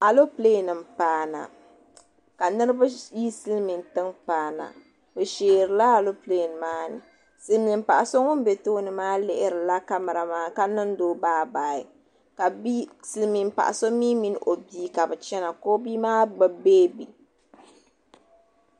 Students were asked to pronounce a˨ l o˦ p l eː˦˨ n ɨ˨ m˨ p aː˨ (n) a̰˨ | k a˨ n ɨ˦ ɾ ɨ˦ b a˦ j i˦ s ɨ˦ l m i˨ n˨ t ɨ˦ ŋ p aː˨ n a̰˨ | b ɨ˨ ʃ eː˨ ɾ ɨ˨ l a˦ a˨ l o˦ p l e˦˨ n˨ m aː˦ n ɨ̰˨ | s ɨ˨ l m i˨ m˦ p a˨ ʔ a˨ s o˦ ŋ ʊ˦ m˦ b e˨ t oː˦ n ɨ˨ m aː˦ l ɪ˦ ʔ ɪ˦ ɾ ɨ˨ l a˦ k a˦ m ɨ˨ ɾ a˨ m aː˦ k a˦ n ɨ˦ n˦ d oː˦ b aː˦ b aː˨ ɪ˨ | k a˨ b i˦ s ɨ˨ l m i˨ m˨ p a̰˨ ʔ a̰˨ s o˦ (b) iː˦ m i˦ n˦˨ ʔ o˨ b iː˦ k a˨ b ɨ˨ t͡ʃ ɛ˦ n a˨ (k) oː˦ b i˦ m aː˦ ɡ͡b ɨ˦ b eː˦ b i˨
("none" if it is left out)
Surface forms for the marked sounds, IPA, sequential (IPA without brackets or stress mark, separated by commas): n, m, k